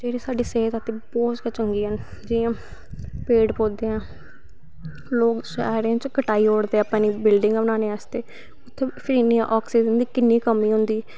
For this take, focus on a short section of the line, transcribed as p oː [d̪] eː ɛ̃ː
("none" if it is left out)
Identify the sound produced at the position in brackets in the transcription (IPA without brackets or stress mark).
d̪